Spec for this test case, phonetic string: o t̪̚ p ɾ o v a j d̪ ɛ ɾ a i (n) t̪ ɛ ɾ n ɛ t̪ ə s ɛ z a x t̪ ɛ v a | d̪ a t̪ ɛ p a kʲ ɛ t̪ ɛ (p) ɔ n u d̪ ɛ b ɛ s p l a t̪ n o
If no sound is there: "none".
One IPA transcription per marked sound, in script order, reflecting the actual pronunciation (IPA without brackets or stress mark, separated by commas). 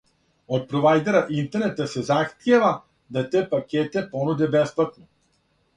n, p